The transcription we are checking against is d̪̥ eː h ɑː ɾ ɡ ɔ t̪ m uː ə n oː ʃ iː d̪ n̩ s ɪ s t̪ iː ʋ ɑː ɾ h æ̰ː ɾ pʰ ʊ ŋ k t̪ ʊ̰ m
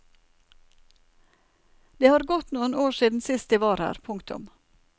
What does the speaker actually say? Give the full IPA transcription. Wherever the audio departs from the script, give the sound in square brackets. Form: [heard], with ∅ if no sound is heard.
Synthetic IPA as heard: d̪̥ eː h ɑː ɾ ɡ ɔ t̪ [n] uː ə n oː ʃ iː d̪ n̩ s ɪ s t̪ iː ʋ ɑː ɾ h æ̰ː ɾ pʰ ʊ ŋ k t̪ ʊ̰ m